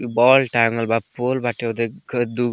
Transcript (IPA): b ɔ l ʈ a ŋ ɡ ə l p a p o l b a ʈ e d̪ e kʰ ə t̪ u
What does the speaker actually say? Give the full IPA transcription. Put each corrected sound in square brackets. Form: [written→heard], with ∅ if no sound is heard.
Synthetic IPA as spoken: b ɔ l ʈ a ŋ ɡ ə l [p→b] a p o l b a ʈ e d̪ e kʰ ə [t̪→d̪] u